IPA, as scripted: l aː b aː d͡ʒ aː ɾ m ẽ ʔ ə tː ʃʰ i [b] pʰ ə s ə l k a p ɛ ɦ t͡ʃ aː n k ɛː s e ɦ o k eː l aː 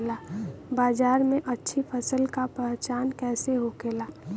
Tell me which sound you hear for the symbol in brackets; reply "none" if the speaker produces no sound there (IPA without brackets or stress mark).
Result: none